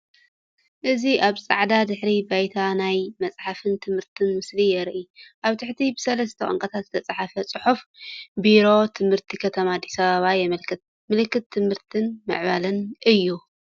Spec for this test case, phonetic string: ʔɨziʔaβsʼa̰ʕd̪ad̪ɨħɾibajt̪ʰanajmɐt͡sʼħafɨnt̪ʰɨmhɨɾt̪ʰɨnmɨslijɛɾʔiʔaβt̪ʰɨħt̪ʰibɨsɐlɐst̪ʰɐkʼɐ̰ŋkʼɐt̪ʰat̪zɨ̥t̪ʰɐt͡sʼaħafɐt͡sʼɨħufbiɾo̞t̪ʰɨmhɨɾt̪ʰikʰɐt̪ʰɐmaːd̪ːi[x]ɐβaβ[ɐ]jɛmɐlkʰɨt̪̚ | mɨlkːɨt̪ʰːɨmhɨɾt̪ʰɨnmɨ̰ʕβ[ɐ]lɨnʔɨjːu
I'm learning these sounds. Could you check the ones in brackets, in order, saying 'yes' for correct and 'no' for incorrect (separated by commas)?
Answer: no, no, no